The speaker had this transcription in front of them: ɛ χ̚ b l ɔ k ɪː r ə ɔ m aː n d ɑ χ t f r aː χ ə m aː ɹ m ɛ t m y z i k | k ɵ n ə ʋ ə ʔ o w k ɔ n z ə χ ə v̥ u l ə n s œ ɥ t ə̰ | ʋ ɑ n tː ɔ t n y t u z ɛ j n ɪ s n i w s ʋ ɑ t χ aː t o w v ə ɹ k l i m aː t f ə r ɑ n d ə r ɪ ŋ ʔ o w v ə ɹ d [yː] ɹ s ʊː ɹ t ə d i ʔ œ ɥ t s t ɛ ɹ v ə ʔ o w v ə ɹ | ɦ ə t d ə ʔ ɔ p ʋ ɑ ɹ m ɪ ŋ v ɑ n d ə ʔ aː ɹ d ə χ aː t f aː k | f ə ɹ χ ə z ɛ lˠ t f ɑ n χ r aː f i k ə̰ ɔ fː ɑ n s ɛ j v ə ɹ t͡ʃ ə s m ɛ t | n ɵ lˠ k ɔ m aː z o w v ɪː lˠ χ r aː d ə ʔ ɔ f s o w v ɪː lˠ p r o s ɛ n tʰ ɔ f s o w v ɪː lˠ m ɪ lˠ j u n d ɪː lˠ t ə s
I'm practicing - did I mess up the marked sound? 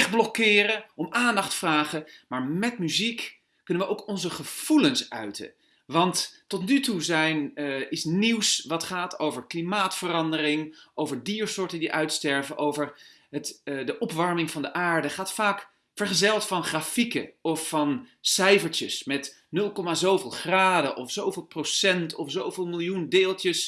yes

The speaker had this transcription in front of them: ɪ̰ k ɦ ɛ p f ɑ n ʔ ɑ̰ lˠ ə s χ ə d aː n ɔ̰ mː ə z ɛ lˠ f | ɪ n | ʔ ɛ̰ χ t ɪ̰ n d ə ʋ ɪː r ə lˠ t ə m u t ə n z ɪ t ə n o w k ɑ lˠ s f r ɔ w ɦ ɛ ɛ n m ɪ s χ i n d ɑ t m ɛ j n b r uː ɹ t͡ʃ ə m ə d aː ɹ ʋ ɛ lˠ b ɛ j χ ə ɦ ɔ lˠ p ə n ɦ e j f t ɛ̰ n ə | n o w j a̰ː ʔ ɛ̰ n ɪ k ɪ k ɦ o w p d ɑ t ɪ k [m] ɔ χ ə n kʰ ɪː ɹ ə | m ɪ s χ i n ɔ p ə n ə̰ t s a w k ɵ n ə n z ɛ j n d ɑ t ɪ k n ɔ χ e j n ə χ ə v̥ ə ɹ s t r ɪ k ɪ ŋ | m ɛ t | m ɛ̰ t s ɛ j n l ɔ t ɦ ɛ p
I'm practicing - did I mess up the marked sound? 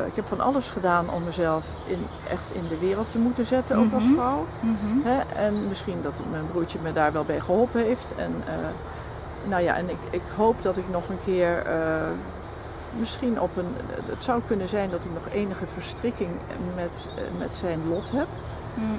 yes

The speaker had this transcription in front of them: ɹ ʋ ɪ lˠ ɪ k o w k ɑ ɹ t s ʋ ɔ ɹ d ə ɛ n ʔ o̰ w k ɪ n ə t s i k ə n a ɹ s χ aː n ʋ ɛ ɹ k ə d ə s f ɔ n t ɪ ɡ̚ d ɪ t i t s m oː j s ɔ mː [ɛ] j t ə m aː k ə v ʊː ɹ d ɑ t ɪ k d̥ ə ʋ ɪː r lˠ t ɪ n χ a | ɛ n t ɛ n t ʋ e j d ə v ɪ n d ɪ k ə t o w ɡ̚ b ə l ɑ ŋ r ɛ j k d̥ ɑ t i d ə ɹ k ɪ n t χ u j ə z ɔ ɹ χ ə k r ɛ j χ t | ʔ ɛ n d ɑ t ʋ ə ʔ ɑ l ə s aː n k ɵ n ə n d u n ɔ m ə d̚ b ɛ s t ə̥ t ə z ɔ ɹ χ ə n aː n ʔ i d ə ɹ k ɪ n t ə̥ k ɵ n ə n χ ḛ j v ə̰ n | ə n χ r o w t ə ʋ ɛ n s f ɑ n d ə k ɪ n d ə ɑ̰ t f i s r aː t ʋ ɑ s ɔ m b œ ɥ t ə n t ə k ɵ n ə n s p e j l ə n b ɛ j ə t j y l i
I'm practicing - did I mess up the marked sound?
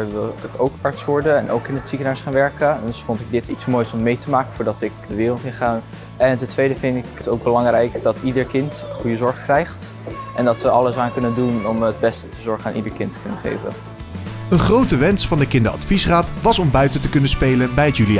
yes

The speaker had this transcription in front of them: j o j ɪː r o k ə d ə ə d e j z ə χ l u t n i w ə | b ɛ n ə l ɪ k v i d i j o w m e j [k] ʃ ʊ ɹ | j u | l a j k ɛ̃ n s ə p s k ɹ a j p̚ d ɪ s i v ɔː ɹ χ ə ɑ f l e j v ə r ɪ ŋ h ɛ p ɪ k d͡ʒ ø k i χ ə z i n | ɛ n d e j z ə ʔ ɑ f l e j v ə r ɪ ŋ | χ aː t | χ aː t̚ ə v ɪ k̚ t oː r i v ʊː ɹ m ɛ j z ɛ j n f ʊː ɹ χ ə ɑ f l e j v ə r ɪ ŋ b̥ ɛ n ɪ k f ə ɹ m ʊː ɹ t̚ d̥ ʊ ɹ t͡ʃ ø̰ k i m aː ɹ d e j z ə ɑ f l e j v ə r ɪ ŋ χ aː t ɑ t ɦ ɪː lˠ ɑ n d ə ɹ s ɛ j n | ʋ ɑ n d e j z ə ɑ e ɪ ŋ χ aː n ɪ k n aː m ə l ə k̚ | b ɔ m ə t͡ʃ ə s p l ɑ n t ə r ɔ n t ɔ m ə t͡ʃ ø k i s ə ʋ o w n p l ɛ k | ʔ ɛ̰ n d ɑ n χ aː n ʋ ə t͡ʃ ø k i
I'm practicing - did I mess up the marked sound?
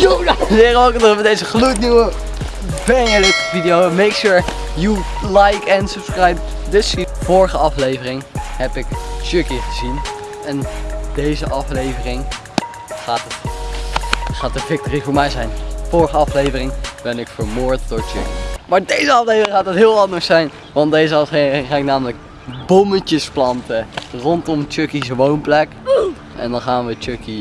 no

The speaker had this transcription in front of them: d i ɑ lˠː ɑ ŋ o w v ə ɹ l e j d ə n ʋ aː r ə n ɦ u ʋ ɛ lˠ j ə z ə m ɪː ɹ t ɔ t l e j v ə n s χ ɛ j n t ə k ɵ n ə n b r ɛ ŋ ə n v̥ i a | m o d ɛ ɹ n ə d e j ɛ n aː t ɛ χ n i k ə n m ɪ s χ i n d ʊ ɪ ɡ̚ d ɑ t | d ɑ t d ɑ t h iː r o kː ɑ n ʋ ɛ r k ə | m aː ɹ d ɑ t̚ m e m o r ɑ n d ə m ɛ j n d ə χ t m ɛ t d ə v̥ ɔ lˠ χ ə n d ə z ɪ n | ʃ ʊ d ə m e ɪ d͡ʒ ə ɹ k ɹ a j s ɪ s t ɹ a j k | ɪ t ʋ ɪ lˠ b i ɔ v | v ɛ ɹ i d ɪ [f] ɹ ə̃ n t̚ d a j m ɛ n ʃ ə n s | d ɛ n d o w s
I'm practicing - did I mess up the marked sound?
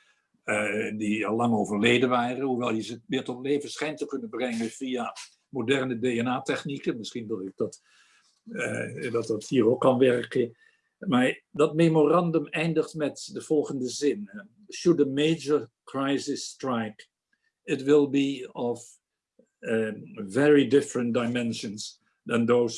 no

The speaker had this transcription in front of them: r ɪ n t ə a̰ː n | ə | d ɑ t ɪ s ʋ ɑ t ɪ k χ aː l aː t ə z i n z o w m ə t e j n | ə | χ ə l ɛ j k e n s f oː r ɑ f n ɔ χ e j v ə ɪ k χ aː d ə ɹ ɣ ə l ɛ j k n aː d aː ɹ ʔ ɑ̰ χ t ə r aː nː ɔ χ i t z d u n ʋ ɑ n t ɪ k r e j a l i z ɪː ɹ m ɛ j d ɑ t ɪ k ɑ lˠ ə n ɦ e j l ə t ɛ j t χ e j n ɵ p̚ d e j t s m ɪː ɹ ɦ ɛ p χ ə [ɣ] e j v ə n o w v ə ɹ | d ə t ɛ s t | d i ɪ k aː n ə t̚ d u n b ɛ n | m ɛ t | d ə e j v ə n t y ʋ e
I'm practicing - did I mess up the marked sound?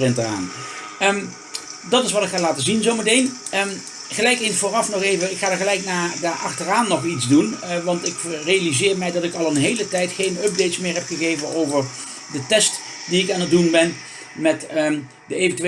no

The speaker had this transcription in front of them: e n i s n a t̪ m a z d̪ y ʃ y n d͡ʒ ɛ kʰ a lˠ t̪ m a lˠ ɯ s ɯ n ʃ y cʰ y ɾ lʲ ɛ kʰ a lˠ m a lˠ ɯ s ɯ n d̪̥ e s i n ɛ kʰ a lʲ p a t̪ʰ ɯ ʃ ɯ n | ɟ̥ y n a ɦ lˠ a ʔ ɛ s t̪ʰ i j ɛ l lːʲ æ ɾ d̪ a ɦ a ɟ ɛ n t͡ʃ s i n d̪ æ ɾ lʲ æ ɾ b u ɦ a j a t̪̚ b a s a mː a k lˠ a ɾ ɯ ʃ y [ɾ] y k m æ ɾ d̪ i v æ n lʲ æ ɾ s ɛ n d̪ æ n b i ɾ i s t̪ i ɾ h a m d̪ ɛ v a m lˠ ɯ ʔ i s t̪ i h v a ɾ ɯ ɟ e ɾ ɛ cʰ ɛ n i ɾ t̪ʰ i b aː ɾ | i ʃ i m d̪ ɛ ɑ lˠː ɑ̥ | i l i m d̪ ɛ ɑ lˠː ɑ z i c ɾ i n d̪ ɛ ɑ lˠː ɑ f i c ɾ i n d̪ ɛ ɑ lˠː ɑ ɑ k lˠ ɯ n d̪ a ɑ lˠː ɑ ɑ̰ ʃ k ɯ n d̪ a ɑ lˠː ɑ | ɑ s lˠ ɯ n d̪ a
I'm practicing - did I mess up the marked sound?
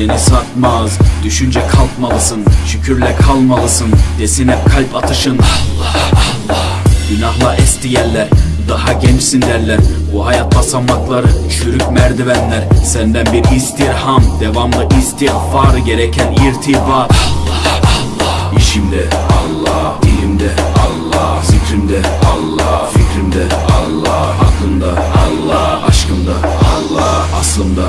no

